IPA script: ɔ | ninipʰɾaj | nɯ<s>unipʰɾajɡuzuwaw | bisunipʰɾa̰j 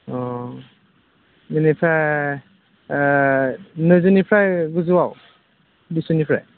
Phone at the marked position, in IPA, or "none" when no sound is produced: z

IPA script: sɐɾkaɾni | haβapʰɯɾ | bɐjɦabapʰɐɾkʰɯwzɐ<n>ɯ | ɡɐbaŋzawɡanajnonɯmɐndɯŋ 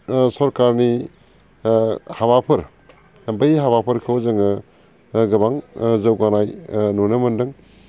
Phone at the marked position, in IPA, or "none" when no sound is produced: ŋ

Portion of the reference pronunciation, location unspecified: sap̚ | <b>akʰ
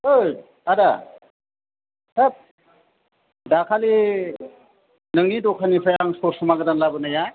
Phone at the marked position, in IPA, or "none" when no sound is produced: d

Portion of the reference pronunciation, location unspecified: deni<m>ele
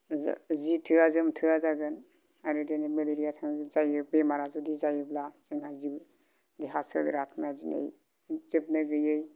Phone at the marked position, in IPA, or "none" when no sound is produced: m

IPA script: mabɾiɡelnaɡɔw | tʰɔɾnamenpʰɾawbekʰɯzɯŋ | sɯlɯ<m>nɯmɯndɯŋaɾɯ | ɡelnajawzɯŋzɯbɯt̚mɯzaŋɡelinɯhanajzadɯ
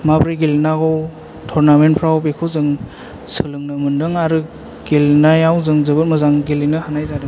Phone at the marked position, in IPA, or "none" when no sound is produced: ŋ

